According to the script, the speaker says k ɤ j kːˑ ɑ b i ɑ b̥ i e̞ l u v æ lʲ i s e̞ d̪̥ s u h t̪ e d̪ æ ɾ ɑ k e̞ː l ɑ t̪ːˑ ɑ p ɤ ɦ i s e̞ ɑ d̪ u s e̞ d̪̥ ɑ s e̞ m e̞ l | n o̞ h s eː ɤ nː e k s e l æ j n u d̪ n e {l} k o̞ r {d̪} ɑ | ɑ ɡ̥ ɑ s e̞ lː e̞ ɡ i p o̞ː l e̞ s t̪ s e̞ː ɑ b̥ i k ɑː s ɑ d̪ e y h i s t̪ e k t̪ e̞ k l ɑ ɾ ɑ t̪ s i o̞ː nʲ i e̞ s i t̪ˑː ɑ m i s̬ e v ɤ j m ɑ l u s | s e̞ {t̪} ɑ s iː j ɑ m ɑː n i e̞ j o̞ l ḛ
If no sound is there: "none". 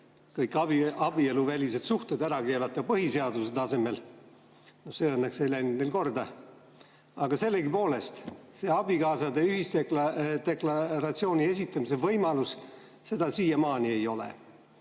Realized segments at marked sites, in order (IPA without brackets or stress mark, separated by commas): l, d̪, d̪